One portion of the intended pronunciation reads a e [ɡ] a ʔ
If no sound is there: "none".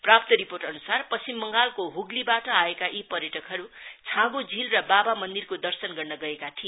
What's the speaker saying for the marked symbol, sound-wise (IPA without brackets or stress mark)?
k